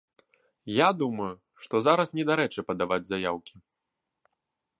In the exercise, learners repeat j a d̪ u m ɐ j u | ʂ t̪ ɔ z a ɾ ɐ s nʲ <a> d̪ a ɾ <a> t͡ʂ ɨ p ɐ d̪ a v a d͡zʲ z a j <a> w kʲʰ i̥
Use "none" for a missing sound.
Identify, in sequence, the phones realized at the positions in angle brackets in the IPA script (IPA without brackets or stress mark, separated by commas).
ɛ, ɛ, a